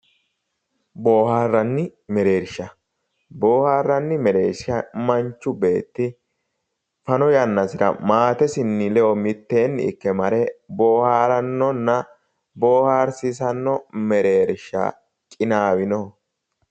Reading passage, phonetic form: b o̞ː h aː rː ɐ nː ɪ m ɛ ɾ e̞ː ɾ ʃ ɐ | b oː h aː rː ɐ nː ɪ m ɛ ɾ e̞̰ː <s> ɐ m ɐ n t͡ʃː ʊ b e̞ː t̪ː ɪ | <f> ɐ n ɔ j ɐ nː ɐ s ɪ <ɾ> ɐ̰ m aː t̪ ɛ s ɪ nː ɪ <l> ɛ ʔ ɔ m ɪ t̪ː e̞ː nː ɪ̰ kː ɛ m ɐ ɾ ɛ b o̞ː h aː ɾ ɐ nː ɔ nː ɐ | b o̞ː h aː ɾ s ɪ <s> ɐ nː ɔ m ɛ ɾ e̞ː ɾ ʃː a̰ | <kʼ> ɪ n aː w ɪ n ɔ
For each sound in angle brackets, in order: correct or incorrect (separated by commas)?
incorrect, correct, correct, correct, correct, correct